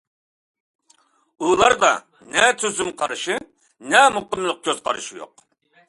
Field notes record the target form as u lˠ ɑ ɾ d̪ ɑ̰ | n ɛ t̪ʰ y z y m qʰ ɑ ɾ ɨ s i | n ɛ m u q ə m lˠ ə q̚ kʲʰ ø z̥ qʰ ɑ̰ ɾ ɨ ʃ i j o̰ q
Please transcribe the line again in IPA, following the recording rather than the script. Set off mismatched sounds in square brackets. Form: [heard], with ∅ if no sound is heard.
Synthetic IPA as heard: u lˠ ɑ ɾ d̪ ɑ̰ | n ɛ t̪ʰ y z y m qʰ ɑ ɾ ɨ [ʃ] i | n ɛ m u q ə m lˠ ə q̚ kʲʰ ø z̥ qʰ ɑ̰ ɾ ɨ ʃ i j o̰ q